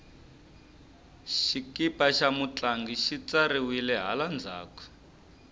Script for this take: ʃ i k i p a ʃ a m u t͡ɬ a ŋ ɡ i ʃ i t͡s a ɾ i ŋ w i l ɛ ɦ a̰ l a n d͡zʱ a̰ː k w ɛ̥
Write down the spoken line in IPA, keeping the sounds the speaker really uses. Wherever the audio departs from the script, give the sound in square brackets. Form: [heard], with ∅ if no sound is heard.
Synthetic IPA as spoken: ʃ i k i p a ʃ a m u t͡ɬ a ŋ ɡ i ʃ i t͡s a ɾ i [∅] w i l ɛ ɦ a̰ l a n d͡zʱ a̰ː k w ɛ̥